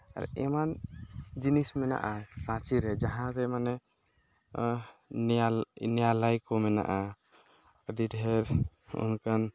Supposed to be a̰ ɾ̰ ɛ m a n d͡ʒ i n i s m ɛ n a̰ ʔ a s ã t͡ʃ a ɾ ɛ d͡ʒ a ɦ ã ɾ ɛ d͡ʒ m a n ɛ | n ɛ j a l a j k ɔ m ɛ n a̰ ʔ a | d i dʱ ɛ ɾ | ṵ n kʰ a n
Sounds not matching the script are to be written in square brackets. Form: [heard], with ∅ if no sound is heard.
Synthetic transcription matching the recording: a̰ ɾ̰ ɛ m a n d͡ʒ i n i s m ɛ n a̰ ʔ a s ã t͡ʃ [i] ɾ ɛ d͡ʒ a ɦ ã ɾ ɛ [∅] m a n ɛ | n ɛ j a l a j k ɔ m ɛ n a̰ ʔ a | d i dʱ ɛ ɾ | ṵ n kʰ a n